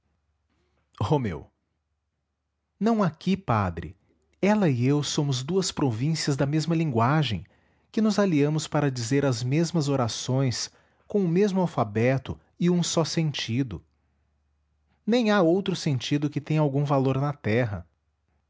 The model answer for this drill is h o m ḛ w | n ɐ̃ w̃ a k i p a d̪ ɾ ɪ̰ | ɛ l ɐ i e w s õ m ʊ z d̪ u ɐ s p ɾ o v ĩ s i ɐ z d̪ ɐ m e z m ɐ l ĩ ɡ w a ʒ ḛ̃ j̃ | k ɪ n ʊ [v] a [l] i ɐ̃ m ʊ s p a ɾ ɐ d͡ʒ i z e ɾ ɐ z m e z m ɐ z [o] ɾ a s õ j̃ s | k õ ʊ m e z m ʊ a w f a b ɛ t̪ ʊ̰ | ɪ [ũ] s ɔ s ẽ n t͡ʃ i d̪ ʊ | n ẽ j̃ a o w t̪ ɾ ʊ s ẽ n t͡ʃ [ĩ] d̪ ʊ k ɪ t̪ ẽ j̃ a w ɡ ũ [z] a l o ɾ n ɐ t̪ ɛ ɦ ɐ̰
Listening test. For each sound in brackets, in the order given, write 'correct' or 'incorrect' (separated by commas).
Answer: incorrect, correct, correct, correct, incorrect, incorrect